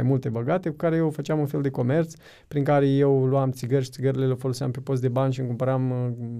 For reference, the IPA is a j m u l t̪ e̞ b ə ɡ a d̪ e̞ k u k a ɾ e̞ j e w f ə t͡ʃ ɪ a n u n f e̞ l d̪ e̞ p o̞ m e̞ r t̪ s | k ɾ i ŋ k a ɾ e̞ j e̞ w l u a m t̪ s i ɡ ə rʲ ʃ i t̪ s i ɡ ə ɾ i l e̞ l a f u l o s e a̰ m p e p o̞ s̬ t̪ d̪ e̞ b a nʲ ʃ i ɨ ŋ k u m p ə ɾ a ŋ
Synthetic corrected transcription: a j m u l t̪ e̞ b ə ɡ a t̪ e̞ k u k a ɾ e̞ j e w f ə t͡ʃ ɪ a m u n f e̞ l d̪ e̞ k o̞ m e̞ r t̪ s | p ɾ i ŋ k a ɾ e̞ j e̞ w l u a m t̪ s i ɡ ə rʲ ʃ i t̪ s i ɡ ə ɾ i l e̞ l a f o l o s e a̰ m p e p o̞ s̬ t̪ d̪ e̞ b a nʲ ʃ i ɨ ŋ k u m p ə ɾ a m